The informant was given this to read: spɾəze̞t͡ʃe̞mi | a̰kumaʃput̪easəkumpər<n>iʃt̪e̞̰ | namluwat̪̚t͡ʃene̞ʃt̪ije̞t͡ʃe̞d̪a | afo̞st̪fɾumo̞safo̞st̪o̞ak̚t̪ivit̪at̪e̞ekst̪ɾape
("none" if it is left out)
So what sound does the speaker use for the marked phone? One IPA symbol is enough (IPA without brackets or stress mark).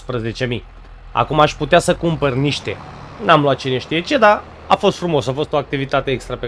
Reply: n